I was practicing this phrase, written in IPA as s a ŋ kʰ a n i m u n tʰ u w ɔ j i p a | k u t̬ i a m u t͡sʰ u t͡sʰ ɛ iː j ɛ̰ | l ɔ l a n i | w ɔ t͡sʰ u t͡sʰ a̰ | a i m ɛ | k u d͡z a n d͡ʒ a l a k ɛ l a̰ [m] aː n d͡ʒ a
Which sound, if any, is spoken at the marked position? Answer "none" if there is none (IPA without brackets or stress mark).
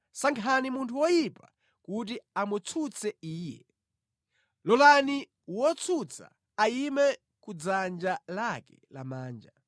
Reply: m